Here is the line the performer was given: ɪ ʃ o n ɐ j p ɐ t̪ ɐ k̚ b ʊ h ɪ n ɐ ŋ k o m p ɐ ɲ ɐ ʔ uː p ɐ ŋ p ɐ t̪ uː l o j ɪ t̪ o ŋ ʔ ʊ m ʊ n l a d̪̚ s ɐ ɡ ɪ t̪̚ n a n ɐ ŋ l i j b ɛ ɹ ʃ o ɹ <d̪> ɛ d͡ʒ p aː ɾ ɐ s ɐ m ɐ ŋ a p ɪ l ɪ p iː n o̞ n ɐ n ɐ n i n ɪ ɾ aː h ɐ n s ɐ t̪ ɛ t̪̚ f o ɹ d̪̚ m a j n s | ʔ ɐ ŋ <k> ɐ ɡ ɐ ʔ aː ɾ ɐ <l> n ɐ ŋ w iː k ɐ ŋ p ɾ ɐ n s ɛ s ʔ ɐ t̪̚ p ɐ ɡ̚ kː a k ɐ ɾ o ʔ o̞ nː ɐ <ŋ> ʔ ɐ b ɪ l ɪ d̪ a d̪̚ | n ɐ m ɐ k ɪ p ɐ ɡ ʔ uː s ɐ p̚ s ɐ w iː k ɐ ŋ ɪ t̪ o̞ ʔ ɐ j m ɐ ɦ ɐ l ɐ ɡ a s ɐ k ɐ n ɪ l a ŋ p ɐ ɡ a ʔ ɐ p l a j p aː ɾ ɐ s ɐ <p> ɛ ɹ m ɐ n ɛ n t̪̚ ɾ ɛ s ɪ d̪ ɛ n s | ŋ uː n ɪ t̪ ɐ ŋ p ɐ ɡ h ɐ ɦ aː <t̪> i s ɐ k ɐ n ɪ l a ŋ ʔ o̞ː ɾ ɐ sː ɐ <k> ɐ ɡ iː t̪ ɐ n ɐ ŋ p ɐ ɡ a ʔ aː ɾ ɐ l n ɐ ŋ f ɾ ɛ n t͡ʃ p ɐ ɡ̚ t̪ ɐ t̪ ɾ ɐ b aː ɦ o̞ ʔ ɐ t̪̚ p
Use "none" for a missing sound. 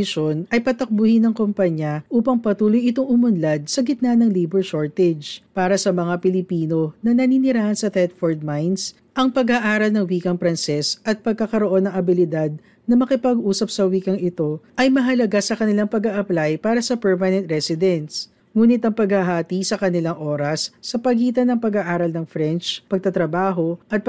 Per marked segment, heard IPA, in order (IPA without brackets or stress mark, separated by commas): t̪, p, l, ŋ, p, t̪, p